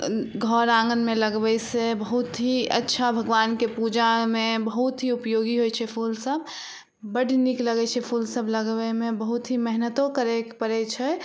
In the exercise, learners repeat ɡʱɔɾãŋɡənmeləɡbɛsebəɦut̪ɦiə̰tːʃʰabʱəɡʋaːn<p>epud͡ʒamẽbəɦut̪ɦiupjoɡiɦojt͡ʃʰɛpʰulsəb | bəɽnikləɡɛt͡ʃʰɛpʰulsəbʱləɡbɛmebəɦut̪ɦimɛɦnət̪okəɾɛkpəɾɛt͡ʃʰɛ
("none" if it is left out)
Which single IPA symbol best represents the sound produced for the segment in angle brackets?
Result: k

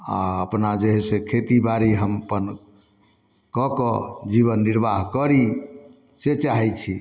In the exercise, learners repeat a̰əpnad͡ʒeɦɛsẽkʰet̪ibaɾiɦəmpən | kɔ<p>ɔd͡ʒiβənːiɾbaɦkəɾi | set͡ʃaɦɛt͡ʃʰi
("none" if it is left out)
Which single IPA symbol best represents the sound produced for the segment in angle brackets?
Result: k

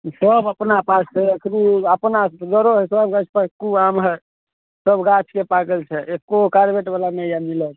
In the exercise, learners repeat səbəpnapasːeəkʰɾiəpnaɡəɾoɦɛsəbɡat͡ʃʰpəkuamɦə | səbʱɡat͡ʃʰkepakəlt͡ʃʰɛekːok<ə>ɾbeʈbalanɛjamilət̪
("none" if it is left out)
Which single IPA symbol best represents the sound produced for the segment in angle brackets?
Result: a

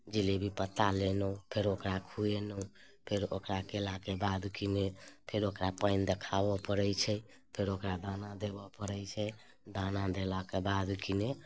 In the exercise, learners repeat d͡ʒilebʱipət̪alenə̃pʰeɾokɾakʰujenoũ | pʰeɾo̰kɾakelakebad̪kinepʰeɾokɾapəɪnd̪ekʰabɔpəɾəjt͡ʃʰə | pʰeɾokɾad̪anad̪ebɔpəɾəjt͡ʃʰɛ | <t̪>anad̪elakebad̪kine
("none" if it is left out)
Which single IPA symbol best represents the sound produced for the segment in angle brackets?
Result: d̪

